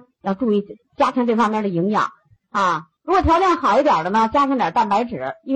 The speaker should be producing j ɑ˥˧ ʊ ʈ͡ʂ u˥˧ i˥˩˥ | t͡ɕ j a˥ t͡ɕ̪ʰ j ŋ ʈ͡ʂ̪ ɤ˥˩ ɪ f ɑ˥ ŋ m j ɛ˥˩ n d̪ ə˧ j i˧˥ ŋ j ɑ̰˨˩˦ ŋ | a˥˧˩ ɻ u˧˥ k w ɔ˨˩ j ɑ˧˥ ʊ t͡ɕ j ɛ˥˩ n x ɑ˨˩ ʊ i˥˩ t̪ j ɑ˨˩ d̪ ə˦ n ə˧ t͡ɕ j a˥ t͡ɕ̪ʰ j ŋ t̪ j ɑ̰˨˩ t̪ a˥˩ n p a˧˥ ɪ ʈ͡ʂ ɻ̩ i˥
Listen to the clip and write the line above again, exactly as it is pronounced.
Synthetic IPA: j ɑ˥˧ ʊ ʈ͡ʂ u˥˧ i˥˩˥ | t͡ɕ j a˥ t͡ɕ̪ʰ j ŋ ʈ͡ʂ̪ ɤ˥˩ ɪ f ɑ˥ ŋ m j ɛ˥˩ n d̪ ə˩ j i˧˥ ŋ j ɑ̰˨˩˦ ŋ | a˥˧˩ ɻ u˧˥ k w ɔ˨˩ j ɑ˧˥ ʊ t͡ɕ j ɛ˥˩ n x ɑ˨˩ ʊ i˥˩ t̪ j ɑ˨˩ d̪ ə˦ n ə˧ t͡ɕ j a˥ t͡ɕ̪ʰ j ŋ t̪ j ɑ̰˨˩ t̪ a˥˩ n p a˧˥ ɪ ʈ͡ʂ ɻ̩ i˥